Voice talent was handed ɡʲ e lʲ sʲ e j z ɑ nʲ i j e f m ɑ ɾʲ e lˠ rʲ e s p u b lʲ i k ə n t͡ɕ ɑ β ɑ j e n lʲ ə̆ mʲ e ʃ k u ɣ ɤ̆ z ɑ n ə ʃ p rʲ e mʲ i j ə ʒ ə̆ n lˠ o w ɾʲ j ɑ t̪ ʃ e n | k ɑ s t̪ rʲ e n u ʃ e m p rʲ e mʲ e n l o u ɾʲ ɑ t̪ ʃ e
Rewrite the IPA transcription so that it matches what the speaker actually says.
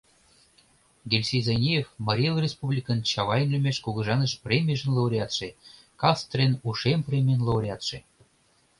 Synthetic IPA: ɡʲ e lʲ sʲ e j z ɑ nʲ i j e f m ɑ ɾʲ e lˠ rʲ e s p u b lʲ i k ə n t͡ɕ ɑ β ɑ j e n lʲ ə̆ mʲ e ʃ k u ɣ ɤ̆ ʒ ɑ n ə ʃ p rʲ e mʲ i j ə ʒ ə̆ n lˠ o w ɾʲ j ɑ t̪ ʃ e | k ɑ s t̪ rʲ e n u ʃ e m p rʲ e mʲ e n l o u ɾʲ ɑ t̪ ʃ e